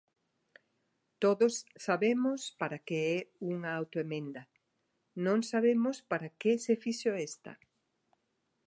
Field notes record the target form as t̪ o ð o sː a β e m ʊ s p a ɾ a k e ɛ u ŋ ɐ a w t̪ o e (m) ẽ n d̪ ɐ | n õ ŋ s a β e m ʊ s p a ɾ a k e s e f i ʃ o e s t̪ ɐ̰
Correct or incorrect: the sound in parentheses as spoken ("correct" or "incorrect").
correct